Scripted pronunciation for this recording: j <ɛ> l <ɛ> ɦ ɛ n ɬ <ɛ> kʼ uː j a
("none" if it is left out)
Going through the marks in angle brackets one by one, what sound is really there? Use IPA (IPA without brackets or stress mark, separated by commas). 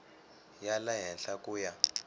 a, a, a